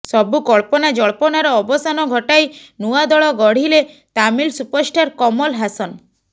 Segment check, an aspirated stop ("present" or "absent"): absent